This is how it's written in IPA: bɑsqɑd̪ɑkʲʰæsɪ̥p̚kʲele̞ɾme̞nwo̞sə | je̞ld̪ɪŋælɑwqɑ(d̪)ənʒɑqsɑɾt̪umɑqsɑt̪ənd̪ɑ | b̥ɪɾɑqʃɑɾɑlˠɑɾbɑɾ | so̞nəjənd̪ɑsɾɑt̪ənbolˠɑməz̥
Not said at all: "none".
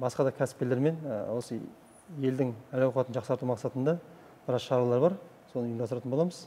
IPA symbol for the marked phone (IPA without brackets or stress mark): t̪